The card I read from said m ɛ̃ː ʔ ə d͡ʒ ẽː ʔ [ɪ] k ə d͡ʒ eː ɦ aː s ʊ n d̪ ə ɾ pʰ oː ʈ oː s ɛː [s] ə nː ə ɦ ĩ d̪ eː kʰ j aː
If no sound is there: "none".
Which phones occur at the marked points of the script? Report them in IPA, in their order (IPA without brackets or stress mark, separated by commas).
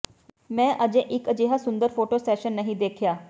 ɪ, ʃ